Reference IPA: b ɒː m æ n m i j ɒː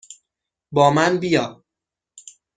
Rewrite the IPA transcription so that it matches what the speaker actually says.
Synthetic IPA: b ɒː m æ n b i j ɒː